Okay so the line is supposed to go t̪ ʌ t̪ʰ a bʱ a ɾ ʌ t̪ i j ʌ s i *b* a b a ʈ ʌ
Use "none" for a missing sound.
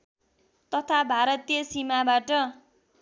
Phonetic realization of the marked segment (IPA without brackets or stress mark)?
m